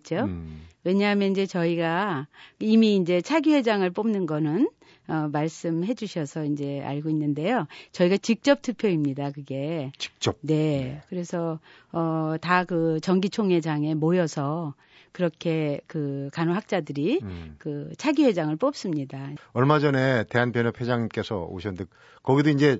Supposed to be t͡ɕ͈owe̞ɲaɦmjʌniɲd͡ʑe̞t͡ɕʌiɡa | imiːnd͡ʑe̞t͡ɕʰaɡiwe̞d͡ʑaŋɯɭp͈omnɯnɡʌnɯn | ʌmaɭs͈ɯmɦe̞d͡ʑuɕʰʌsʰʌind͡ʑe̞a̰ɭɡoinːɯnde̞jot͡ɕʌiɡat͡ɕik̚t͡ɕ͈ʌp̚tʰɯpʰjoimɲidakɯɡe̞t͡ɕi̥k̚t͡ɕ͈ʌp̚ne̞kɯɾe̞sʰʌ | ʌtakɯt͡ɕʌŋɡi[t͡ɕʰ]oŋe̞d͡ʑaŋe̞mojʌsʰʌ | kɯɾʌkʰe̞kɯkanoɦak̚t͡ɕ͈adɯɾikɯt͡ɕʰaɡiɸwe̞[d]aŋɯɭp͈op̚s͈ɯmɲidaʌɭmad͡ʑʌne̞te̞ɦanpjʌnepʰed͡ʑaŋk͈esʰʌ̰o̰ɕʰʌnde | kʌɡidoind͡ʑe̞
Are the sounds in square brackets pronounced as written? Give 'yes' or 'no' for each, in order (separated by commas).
yes, no